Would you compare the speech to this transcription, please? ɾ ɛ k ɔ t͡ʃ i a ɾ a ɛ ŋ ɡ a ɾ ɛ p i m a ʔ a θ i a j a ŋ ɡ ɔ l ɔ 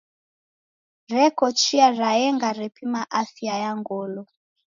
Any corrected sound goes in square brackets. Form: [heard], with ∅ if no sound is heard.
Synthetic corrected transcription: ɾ ɛ k ɔ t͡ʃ i a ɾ a ɛ ŋ ɡ a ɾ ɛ p i m a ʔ a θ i a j a ŋ ɡ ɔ l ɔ